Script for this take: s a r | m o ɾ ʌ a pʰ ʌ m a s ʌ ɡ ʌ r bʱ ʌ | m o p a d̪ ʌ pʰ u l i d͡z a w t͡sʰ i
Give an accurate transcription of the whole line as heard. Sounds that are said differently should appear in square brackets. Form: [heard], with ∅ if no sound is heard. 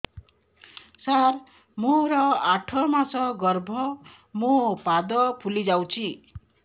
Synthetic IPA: s a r | m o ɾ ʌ a [ʈʰ] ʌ m a s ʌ ɡ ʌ r bʱ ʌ | m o p a d̪ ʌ pʰ u l i d͡z a w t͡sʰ i